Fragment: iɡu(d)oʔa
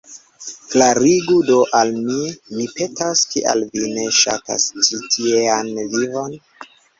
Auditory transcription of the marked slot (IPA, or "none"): d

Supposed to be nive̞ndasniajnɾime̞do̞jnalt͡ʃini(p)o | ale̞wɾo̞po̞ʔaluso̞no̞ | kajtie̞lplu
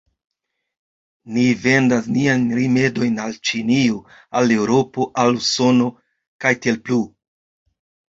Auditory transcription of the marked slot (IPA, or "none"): none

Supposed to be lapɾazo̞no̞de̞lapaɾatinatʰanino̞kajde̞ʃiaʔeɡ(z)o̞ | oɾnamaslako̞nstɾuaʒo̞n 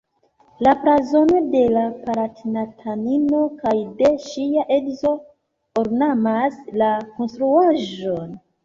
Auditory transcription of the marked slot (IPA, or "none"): z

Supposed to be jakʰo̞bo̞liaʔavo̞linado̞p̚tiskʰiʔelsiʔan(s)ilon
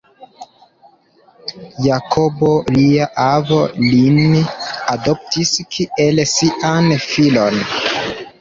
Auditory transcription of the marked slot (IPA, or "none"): f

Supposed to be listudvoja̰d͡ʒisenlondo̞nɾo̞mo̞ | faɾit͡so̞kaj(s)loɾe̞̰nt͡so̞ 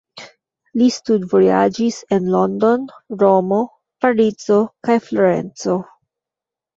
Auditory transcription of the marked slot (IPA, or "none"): f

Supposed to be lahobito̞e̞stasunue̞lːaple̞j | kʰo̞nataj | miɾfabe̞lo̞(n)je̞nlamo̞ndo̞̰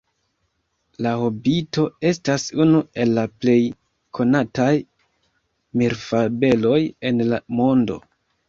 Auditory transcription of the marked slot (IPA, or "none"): none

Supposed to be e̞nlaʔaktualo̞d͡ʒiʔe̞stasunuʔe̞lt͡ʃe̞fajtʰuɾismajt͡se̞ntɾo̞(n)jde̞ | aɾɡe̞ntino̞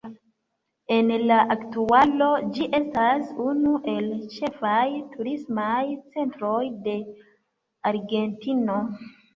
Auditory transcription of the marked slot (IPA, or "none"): none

